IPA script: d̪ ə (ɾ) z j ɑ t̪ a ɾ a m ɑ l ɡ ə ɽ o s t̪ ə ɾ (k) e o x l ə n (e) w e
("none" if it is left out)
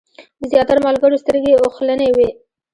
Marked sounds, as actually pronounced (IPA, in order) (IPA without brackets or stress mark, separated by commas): none, ɡ, e